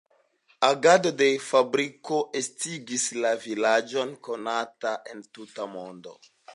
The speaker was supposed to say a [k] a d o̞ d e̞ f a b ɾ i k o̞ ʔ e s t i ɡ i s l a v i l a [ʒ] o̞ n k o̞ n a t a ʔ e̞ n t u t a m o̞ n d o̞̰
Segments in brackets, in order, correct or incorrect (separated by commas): incorrect, incorrect